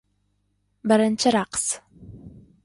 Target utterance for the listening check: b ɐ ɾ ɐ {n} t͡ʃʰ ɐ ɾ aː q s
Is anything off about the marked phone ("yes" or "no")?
no